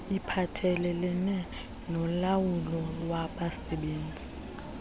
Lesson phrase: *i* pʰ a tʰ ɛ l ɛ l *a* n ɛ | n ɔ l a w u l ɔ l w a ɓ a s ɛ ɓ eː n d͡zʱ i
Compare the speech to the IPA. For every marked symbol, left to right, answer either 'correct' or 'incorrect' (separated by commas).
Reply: correct, incorrect